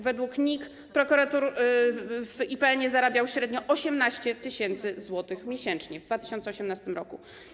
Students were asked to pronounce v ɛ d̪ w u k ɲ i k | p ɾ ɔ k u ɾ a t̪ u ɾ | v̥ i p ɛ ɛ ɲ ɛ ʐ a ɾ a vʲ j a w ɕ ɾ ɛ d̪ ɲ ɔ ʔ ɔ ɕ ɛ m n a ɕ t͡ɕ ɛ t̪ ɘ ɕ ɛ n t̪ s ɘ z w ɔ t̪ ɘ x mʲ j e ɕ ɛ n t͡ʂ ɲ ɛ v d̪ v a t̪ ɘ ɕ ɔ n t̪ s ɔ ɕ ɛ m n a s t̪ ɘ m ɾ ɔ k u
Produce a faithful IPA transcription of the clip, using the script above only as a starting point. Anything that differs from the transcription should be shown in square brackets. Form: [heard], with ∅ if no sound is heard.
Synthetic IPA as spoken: v ɛ d̪ w u k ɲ i k | p ɾ ɔ k u ɾ a t̪ u ɾ | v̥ i p ɛ ɛ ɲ ɛ [z] a ɾ a [bʲ] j a w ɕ ɾ ɛ d̪ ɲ ɔ ʔ ɔ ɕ ɛ m n a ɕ t͡ɕ ɛ t̪ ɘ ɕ ɛ n t̪ s ɘ z w ɔ t̪ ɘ x mʲ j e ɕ ɛ n t͡ʂ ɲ ɛ v d̪ v a t̪ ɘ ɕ ɔ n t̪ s ɔ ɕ ɛ m n a s t̪ ɘ m ɾ ɔ k u